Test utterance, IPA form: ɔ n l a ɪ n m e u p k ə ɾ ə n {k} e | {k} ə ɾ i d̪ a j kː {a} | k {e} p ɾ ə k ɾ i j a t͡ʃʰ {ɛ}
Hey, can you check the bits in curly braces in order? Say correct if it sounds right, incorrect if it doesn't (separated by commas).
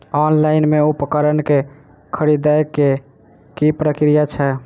correct, incorrect, incorrect, incorrect, correct